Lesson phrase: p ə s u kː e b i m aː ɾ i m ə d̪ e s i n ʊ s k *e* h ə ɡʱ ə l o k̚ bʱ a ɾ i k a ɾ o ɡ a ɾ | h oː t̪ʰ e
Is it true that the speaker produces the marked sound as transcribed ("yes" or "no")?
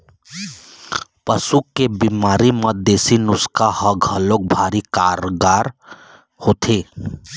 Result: no